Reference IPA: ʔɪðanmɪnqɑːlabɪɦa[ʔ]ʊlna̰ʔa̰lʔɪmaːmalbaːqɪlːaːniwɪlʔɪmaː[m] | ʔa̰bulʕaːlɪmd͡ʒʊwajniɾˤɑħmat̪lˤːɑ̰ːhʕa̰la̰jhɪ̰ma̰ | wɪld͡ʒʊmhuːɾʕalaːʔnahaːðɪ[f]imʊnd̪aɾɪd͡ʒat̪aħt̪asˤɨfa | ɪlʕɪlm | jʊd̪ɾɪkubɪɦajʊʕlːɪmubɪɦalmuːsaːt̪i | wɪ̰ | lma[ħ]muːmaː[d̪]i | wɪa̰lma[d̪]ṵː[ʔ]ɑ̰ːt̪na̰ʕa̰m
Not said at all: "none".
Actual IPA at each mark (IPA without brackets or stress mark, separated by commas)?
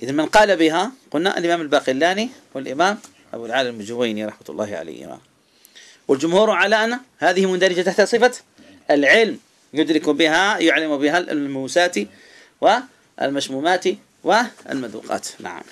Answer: q, m, h, ʃ, t̪, d̪, q